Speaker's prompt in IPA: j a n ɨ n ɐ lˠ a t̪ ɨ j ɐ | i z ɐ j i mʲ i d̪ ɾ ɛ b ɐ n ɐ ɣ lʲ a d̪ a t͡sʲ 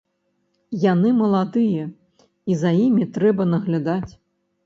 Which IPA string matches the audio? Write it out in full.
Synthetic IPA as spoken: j a n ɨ m ɐ lˠ a d̪ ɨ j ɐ | i z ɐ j i mʲ i t̪ ɾ ɛ b ɐ n ɐ ɣ lʲ a d̪ a t͡sʲ